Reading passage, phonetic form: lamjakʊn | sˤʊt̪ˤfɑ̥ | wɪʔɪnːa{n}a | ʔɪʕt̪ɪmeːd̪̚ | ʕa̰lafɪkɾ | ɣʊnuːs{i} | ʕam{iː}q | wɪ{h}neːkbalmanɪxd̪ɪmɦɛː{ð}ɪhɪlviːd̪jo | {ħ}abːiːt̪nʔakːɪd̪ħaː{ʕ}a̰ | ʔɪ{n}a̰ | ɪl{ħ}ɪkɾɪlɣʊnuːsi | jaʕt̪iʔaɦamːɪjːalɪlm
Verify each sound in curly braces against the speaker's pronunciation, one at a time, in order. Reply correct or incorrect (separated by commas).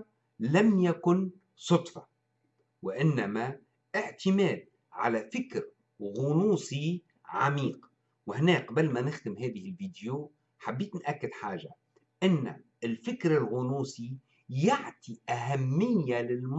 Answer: incorrect, correct, correct, correct, correct, correct, incorrect, incorrect, incorrect